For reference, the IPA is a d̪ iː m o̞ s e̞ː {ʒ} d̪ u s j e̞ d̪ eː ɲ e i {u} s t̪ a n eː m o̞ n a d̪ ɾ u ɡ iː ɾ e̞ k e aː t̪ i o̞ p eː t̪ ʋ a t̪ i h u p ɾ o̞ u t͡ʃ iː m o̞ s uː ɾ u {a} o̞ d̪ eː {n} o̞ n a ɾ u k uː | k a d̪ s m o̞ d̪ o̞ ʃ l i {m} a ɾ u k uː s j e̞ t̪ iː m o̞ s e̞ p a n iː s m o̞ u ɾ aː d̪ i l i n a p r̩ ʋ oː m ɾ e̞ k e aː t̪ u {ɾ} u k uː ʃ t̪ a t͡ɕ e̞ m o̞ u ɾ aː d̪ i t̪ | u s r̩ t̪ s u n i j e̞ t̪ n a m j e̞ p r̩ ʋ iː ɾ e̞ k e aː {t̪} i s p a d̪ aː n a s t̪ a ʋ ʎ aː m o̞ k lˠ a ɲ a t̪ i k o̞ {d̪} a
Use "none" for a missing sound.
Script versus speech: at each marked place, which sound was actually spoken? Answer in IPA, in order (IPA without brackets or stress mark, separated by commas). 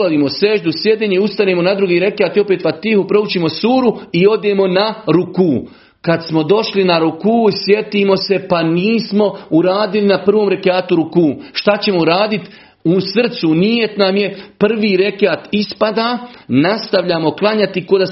ʒ, u, i, m, n, ɾ, t̪, d̪